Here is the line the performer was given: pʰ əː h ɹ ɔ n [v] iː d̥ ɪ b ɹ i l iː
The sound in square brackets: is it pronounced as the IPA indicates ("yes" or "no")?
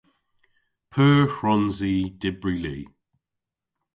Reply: no